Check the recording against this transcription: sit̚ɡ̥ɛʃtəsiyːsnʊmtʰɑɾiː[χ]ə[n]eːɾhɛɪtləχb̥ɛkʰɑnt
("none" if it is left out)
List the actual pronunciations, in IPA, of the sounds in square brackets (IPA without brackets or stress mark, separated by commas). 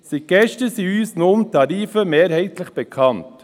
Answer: f, m